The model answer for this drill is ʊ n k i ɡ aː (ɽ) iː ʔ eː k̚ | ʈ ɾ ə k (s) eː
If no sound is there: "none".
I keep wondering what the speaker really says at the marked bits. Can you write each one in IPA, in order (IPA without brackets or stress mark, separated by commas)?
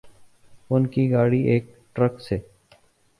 ɽ, s